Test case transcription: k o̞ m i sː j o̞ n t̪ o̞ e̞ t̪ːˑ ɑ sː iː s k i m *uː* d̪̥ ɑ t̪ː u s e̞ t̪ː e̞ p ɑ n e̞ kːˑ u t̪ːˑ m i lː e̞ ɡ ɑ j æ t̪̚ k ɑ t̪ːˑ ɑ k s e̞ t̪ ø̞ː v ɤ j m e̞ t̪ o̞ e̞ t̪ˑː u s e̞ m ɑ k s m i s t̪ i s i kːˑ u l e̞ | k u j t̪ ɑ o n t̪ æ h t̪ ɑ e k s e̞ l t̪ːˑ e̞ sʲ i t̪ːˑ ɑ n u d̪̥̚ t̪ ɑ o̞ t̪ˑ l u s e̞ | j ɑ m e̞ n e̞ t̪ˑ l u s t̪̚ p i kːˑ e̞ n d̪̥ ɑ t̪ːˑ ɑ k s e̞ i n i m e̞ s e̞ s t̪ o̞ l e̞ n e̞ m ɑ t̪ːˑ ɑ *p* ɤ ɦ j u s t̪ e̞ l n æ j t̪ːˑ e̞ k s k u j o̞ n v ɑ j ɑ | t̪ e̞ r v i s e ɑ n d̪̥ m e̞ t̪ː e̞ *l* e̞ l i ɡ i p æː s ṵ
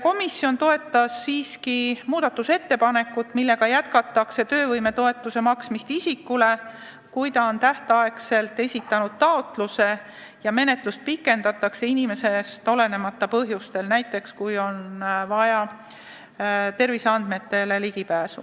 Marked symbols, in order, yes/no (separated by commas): yes, yes, yes